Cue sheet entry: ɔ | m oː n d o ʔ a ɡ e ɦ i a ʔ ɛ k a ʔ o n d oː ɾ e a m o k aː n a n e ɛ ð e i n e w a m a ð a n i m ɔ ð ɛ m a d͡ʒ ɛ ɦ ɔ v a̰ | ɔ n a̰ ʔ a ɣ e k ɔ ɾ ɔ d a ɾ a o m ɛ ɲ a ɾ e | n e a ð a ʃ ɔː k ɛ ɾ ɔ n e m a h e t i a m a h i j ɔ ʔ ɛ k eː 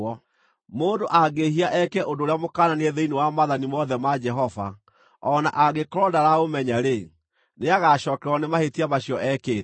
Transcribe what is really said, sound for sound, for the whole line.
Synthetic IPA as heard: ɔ | m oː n d o ʔ a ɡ e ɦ i a ʔ ɛ k ɛ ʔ o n d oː ɾ e a m o k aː n a n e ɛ ð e i n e w a m a ð a n i m ɔ ð ɛ m a d͡ʒ ɛ ɦ ɔ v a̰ | ɔ n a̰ ʔ a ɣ e k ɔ ɾ ɔ d a ɾ a o m ɛ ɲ a ɾ e | n e a ɣ a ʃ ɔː k ɛ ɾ ɔ n e m a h e t i a m a ɕ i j ɔ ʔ ɛ k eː